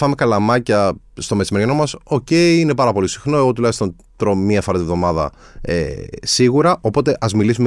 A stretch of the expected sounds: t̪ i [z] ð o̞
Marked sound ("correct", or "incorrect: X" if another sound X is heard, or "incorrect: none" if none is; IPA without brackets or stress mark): incorrect: v